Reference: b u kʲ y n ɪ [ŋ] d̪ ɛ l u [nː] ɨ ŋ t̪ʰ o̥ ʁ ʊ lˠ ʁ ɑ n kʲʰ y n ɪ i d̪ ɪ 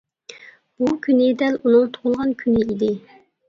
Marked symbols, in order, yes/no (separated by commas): no, no